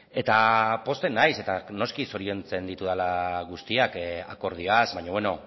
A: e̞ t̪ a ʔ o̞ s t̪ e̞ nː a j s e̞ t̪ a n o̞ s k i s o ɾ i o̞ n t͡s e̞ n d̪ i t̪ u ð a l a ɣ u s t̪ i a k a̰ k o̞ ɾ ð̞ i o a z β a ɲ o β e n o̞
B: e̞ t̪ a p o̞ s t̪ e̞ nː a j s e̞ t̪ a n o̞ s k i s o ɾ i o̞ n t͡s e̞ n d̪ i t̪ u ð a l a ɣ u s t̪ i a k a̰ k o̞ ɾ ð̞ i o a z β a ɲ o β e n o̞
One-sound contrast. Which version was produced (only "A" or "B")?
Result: B